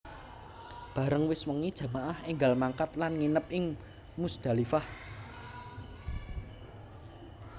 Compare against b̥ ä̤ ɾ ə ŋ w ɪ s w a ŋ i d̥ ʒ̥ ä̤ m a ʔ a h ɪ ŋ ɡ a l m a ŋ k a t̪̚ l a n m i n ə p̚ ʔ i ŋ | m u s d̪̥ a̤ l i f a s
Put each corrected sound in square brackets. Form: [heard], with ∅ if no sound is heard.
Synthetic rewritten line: b̥ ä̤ ɾ ə ŋ w ɪ s w [ə] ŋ i d̥ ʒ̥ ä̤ m a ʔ a h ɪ ŋ ɡ a l m a ŋ k a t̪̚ l a n [ŋ] i n ə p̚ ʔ [ɪ] ŋ | m u s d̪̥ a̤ l i f a [h]